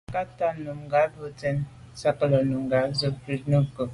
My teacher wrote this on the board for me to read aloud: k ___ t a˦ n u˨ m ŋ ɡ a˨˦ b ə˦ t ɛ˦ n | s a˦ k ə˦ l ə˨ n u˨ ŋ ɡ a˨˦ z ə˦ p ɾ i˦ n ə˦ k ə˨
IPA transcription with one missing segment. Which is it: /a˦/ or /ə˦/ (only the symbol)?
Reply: a˦